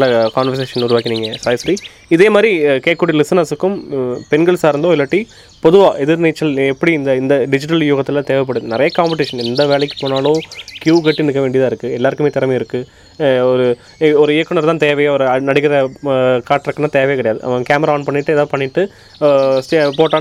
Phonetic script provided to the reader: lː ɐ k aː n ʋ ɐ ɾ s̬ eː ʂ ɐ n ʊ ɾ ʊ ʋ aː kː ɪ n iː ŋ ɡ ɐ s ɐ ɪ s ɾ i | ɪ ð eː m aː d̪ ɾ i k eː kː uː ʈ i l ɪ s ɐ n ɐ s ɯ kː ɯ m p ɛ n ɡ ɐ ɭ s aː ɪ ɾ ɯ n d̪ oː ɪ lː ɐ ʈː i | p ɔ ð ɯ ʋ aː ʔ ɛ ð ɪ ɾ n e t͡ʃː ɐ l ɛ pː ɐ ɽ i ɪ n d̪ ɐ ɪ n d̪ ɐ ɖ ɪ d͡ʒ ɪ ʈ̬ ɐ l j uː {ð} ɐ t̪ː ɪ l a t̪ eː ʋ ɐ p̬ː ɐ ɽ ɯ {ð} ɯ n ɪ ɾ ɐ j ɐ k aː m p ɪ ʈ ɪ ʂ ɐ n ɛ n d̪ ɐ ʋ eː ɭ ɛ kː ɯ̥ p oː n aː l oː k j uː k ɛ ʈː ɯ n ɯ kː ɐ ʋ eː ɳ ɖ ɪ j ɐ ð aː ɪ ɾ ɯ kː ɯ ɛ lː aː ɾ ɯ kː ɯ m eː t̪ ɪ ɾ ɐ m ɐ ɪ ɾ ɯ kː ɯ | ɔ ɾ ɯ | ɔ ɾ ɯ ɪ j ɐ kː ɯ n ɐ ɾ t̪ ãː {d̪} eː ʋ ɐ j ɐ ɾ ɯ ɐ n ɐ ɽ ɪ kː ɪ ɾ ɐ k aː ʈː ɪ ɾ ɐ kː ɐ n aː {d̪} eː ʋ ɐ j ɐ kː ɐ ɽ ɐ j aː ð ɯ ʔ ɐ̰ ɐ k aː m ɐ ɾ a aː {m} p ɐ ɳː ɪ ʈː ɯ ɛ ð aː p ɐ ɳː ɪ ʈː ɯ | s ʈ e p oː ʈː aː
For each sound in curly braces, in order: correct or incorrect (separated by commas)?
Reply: incorrect, correct, incorrect, incorrect, incorrect